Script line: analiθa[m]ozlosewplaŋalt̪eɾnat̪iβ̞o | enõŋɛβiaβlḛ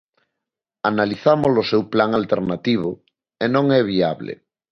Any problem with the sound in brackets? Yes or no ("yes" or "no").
no